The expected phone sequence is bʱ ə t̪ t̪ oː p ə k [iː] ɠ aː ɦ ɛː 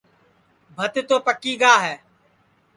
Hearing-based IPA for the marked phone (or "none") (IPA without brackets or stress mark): iː